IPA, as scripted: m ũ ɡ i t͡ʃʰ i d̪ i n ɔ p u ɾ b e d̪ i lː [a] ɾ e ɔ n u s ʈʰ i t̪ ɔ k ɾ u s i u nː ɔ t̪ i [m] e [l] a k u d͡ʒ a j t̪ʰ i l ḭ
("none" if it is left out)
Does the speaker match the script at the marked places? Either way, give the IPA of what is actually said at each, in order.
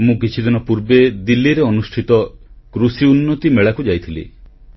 i, m, ɭ

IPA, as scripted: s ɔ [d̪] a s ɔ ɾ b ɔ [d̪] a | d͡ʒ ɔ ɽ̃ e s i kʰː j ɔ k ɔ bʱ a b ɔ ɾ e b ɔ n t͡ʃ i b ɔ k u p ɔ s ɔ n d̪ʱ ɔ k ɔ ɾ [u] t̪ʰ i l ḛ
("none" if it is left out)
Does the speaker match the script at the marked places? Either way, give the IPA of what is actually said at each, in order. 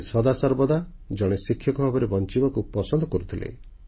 d̪, d̪, u

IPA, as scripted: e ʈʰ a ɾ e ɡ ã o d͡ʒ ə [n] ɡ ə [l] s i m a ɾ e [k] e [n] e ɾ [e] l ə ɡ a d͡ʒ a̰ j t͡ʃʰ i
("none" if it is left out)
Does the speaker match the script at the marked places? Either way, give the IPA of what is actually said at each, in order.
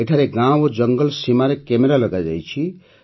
ŋ, l, k, m, a

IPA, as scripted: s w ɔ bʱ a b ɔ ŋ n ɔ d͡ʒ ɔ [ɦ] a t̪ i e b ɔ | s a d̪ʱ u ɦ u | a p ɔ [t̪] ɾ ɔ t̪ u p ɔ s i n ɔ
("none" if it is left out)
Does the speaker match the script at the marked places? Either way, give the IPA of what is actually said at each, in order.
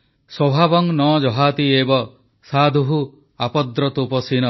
ɦ, d̪

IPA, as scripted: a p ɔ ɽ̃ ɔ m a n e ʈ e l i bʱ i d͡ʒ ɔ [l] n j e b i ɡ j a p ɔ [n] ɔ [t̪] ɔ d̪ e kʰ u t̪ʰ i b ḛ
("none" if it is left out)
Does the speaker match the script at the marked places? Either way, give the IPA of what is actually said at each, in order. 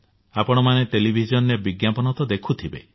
none, n, t̪

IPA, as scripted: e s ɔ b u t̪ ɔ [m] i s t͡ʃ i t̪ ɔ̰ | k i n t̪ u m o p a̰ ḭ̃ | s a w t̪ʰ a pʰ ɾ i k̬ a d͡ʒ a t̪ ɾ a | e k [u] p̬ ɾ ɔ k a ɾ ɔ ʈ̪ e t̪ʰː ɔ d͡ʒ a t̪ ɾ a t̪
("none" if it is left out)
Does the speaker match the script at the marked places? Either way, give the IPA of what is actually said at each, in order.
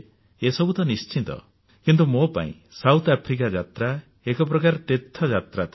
n, ɔ

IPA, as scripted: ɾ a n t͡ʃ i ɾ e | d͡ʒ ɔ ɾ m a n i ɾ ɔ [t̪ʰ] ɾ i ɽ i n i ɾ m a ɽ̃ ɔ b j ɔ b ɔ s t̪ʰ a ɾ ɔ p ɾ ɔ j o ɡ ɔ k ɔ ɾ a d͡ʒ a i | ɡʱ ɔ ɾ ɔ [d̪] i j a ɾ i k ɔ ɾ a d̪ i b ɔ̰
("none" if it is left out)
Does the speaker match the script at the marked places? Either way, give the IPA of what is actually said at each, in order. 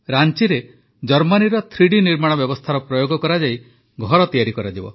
t̪ʰ, t̪

